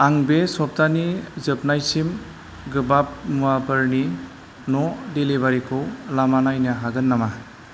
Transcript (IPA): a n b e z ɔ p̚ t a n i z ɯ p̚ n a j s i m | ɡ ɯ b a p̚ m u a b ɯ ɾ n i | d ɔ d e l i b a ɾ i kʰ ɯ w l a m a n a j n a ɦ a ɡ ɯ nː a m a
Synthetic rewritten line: a ŋ b e s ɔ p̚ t a n i z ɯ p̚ n a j s i m | ɡ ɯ b a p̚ m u a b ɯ ɾ n i | n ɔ d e l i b a ɾ i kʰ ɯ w l a m a n a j n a ɦ a ɡ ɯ nː a m a

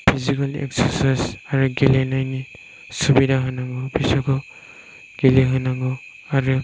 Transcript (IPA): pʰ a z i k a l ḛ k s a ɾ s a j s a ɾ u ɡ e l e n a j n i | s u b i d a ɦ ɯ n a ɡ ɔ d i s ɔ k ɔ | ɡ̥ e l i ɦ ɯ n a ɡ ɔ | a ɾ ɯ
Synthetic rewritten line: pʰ i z i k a l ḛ k s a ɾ s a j s a ɾ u ɡ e l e n a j n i | s u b i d a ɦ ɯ n a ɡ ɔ b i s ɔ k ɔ | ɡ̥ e l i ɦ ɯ n a ɡ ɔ | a ɾ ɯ

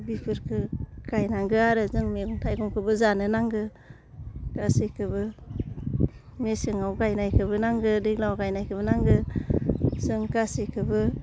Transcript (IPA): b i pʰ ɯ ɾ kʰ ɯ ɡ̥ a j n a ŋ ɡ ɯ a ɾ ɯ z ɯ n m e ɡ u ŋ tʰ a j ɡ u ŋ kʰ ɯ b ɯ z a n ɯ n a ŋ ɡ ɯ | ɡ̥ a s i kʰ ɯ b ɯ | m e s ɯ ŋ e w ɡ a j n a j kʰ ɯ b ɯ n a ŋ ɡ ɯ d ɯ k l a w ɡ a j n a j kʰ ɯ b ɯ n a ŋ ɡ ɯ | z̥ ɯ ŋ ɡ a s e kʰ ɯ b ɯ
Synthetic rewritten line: b i pʰ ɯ ɾ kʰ ɯ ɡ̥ a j n a ŋ ɡ ɯ a ɾ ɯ z ɯ ŋ m e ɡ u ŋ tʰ a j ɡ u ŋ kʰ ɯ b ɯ z a n ɯ n a ŋ ɡ ɯ | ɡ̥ a s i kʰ ɯ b ɯ | m e s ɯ ŋ a w ɡ a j n a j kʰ ɯ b ɯ n a ŋ ɡ ɯ d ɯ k l a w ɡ a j n a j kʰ ɯ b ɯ n a ŋ ɡ ɯ | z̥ ɯ ŋ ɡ a s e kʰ ɯ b ɯ

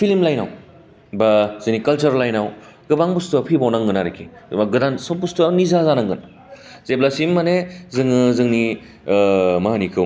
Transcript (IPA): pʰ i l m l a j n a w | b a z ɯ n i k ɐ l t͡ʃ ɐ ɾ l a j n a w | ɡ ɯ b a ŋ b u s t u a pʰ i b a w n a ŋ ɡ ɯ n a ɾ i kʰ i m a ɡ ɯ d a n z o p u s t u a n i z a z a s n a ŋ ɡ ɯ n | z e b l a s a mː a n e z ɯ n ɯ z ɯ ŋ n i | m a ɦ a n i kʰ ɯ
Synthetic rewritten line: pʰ i l m l a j n a w | b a z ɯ n i k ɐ l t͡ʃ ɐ ɾ l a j n a w | ɡ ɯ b a ŋ b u s t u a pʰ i b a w n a ŋ ɡ ɯ n a ɾ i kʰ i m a ɡ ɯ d a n s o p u s t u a n i z a z a n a ŋ ɡ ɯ n | z e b l a s i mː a n e z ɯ ŋ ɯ z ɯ ŋ n i | m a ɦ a n i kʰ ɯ

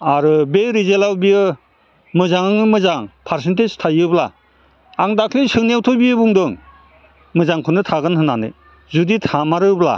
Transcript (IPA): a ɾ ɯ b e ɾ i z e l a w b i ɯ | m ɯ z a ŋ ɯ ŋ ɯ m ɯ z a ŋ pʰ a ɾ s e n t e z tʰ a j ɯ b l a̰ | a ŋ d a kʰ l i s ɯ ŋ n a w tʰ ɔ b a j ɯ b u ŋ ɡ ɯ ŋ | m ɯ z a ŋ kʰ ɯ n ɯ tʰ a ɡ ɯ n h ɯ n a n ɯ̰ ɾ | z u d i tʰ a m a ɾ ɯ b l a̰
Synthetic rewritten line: a ɾ ɯ b e ɾ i z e l a w b i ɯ | m ɯ z a ŋ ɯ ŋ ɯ m ɯ z a ŋ pʰ a ɾ s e n t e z tʰ a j ɯ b l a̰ | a ŋ d a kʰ l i s ɯ ŋ n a w tʰ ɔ b i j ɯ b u ŋ d ɯ ŋ | m ɯ z a ŋ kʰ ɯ n ɯ tʰ a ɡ ɯ n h ɯ n a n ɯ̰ | z u d i tʰ a m a ɾ ɯ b l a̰

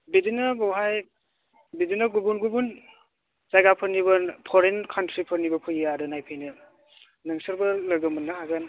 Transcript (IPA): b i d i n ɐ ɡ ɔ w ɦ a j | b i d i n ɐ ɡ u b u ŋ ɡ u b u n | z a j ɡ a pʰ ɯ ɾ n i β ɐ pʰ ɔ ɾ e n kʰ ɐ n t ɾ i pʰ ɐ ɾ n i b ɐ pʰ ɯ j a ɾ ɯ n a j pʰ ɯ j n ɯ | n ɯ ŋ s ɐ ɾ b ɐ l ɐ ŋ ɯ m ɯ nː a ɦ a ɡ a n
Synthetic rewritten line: b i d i n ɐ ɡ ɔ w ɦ a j | b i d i n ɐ ɡ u b u n ɡ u b u n | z a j ɡ a pʰ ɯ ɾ n i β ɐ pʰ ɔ ɾ e n kʰ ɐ n t ɾ i pʰ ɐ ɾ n i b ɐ pʰ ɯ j a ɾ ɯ n a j pʰ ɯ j n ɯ | n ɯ ŋ s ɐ ɾ b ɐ l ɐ ɡ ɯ m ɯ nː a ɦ a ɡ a n

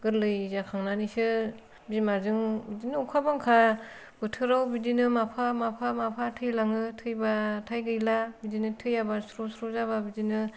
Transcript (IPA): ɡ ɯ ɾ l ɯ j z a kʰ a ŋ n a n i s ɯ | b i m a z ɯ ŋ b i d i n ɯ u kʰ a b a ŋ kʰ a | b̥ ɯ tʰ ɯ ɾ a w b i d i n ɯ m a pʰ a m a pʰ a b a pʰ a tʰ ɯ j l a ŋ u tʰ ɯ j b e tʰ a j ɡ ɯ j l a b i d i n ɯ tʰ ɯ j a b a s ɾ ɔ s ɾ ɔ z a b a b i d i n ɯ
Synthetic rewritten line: ɡ ɯ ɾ l ɯ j z a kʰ a ŋ n a n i s ɯ | b i m a z ɯ ŋ b i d i n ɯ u kʰ a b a ŋ kʰ a | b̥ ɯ tʰ ɯ ɾ a w b i d i n ɯ m a pʰ a m a pʰ a m a pʰ a tʰ ɯ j l a ŋ ɯ tʰ ɯ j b a tʰ a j ɡ ɯ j l a b i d i n ɯ tʰ ɯ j a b a s ɾ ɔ s ɾ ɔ z a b a b i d i n ɯ

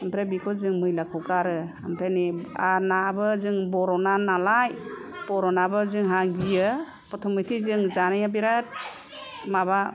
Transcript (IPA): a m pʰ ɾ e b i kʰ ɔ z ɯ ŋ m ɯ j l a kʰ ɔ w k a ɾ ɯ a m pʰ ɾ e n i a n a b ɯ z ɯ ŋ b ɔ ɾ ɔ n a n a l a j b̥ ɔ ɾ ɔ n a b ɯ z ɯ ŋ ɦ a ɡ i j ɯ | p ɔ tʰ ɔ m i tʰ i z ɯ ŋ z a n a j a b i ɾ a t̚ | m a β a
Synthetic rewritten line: a m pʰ ɾ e b i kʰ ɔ z ɯ ŋ m ɯ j l a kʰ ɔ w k a ɾ ɯ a m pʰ ɾ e n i a n a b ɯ z ɯ ŋ b ɔ ɾ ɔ n a n a l a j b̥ ɔ ɾ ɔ n a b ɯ z ɯ ŋ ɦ a ɡ i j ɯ | p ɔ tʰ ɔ m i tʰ i z ɯ ŋ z a n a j a b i ɾ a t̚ | m a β a

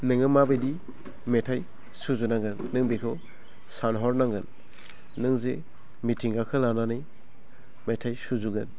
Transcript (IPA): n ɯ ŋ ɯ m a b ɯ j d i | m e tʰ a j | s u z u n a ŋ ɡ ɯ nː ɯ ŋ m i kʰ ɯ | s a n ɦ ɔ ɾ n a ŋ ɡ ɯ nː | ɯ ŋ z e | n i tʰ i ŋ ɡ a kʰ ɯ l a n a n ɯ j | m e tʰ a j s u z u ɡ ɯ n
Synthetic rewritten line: n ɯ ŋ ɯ m a b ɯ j d i | m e tʰ a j | s u z u n a ŋ ɡ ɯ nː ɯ ŋ b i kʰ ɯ | s a n ɦ ɔ ɾ n a ŋ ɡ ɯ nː | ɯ ŋ z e | m i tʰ i ŋ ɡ a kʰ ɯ l a n a n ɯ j | m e tʰ a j s u z u ɡ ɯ n

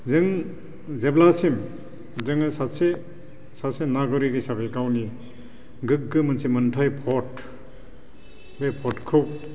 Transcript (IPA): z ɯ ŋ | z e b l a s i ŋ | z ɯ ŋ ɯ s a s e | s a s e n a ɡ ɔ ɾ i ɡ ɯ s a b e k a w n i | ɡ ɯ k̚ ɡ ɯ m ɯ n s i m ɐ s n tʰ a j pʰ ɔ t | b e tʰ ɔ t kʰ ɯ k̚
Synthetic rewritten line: z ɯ ŋ | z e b l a s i m | z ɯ ŋ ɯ s a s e | s a s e n a ɡ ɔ ɾ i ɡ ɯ s a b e k a w n i | ɡ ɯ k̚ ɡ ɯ m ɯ n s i m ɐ n tʰ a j pʰ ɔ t | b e pʰ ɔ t kʰ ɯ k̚

